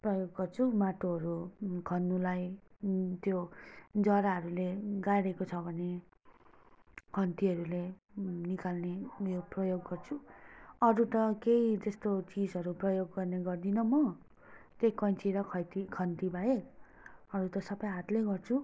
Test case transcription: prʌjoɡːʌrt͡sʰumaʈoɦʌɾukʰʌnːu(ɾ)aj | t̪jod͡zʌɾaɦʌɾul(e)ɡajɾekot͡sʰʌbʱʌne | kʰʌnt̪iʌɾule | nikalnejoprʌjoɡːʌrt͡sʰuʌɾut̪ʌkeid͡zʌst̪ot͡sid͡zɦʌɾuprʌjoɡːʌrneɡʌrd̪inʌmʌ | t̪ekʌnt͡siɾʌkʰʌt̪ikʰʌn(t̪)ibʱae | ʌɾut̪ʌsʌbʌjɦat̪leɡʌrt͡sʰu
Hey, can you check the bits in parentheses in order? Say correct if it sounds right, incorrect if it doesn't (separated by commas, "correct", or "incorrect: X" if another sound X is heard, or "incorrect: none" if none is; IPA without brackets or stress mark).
incorrect: l, correct, correct